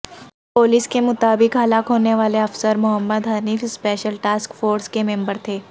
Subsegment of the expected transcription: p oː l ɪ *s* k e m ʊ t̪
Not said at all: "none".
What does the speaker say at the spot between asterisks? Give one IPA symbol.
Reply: s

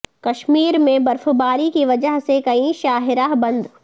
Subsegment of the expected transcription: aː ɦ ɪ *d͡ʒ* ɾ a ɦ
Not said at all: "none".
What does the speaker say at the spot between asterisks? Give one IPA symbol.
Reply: none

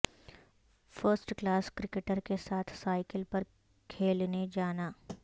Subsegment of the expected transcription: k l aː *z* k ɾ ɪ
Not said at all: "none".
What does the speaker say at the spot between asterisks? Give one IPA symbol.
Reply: s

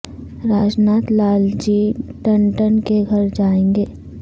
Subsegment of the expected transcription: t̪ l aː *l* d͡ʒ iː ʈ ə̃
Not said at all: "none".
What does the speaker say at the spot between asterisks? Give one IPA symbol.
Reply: l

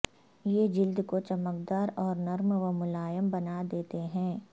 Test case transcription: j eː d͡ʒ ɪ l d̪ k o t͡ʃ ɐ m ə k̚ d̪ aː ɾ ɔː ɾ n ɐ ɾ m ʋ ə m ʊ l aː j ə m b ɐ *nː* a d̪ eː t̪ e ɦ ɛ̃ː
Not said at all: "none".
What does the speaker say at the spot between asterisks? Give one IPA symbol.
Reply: n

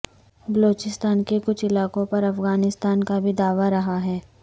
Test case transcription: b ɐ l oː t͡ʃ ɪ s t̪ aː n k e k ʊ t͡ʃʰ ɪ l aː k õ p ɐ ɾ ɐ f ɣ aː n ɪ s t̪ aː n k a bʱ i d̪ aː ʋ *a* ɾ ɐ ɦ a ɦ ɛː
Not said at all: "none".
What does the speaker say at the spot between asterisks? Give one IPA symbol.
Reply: a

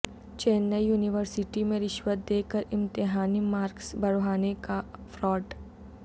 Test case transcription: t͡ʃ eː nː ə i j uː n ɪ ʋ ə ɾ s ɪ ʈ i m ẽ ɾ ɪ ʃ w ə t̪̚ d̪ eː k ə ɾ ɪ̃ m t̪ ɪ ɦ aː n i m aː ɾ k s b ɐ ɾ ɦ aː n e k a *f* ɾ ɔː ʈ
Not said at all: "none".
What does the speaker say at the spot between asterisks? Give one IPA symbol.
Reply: f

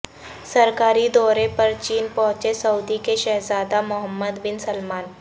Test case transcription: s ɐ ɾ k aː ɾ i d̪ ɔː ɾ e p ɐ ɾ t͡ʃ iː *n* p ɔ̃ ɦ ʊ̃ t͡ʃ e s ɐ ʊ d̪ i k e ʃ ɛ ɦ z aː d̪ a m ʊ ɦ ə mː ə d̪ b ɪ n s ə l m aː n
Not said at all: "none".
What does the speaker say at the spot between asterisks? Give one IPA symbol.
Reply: n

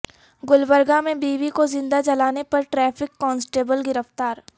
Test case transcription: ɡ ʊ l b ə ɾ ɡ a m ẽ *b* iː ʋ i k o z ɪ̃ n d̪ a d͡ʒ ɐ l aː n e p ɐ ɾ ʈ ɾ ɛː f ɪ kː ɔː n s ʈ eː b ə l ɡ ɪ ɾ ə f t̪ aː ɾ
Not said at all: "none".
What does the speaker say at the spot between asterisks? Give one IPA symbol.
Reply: b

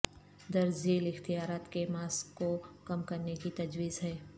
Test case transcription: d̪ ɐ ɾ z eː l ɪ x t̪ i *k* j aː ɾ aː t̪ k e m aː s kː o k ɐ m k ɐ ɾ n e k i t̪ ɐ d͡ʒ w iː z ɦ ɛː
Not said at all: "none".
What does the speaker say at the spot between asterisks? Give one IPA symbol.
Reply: none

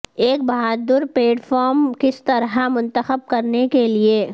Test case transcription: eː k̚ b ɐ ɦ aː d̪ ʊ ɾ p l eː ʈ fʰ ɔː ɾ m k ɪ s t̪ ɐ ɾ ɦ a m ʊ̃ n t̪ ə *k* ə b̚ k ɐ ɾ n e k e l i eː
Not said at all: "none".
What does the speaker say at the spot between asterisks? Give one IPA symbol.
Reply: x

